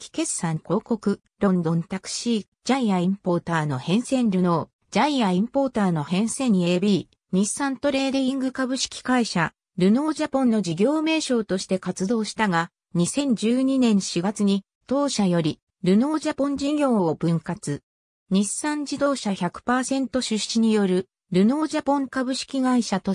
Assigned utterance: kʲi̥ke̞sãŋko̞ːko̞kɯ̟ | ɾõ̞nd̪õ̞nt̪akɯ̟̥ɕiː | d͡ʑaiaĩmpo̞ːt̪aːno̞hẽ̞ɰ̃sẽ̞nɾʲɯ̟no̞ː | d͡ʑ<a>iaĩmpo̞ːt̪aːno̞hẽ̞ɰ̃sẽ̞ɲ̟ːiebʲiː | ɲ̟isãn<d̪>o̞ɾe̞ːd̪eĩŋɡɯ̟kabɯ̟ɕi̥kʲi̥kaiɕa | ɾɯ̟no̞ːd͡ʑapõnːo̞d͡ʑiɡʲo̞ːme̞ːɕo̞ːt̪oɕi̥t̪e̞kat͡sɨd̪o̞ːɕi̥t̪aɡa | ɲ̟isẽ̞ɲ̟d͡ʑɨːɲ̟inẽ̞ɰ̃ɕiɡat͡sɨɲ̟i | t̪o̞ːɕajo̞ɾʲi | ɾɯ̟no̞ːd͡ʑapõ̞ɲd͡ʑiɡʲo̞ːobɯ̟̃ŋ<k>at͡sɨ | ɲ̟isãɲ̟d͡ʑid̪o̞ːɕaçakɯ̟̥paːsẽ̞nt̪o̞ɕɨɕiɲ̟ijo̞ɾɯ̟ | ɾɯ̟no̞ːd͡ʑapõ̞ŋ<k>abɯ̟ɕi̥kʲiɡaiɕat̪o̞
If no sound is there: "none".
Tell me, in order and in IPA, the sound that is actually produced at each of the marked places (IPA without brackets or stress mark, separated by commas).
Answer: a, t̪, k, k